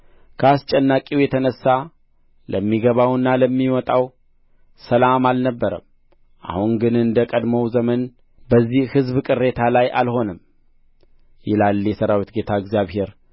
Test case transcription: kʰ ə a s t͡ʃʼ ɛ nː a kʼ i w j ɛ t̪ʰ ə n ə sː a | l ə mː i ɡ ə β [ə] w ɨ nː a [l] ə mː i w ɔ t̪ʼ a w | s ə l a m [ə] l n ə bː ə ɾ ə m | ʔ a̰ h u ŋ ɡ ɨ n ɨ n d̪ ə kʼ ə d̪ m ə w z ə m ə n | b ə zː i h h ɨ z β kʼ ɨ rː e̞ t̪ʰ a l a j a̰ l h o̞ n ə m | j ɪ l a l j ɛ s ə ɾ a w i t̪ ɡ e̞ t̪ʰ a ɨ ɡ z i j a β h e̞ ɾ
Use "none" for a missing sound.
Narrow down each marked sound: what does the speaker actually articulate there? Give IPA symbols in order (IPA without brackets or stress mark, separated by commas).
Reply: a, l, a